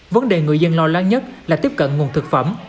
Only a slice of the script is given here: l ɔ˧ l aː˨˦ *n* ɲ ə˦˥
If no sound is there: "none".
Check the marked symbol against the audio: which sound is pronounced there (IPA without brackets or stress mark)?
ŋ